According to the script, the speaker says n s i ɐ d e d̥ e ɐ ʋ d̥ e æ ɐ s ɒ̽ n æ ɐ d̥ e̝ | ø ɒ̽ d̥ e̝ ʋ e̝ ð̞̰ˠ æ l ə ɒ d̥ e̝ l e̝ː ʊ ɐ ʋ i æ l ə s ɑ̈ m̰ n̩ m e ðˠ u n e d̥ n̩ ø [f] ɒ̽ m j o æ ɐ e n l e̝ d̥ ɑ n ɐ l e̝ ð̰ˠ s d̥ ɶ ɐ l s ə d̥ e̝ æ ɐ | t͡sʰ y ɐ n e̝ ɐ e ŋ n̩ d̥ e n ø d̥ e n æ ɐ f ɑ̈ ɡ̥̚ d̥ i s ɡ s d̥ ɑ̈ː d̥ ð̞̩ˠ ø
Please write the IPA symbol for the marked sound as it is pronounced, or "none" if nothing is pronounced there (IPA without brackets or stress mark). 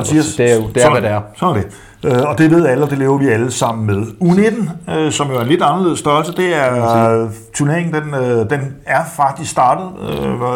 s